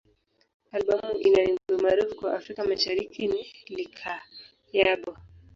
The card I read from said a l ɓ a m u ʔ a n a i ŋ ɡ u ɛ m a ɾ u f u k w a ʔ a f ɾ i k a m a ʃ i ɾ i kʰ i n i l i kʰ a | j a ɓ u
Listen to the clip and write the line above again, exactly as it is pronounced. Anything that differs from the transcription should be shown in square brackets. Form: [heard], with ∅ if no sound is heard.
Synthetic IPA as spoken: a l ɓ a m u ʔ [i] n a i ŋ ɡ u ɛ m a ɾ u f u k w a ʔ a f ɾ i k a m a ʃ [a] ɾ i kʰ i n i l i kʰ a | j a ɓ [ɔ]